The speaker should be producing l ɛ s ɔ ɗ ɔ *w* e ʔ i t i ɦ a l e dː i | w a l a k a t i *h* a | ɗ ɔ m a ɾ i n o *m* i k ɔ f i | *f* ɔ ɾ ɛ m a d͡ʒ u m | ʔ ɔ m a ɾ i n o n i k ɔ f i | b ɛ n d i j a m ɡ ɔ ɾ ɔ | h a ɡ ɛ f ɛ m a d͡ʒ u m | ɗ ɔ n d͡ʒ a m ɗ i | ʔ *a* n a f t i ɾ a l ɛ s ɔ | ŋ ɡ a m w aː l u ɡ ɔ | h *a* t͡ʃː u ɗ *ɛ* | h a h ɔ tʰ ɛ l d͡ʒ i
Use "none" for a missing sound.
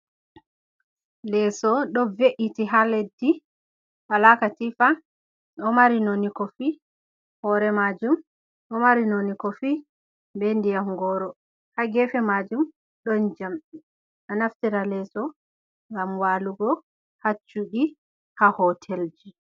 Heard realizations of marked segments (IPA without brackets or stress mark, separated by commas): v, f, n, h, a, a, i